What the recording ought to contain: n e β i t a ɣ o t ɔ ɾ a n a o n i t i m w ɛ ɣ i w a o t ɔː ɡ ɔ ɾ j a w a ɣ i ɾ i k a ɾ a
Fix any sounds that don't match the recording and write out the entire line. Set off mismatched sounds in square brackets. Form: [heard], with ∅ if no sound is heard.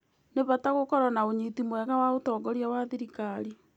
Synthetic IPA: n e β [a] t a ɣ o [k] ɔ ɾ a n a o [ɲ] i t i m w ɛ ɣ [a] w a o t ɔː ɡ ɔ ɾ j a w a [ð] i ɾ i k a ɾ [i]